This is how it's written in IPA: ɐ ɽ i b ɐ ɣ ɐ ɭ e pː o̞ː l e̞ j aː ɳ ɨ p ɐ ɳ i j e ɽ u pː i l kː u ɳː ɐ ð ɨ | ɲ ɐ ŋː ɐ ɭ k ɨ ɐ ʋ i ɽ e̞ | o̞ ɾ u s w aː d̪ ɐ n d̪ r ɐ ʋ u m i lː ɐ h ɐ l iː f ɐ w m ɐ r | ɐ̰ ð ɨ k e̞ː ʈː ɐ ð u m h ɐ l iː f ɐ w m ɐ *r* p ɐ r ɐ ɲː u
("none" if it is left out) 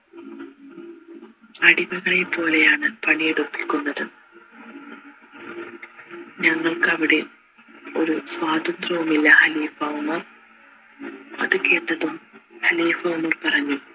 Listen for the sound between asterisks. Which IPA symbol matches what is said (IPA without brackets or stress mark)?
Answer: r